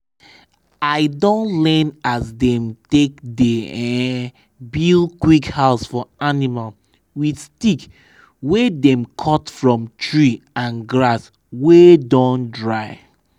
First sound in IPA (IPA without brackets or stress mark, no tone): a